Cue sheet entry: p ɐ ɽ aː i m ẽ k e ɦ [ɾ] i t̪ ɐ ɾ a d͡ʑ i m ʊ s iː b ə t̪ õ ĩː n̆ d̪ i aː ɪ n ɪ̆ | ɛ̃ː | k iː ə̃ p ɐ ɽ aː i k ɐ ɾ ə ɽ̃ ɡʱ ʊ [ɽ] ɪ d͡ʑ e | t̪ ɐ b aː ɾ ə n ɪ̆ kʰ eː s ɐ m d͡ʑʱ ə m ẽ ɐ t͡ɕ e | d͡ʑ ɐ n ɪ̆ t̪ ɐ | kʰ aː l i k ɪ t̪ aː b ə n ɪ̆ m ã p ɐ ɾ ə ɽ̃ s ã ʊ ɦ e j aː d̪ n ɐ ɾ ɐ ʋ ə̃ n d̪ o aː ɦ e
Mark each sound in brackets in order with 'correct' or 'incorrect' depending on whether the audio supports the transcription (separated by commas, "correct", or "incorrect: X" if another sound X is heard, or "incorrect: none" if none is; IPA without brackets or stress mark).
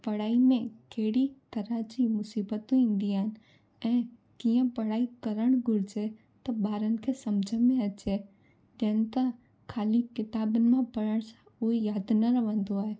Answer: incorrect: ɽ, incorrect: ɾ